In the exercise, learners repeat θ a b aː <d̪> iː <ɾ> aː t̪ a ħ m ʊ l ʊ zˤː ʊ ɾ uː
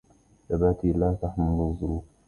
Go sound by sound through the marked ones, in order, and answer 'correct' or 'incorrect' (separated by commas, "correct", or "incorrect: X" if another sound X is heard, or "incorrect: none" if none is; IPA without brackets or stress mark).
incorrect: t̪, incorrect: l